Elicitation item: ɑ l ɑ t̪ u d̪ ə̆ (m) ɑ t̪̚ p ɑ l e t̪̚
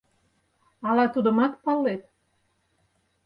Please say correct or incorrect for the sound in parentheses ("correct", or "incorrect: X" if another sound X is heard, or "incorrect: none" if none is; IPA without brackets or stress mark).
correct